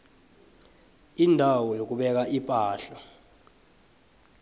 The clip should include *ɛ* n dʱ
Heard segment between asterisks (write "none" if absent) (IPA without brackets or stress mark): i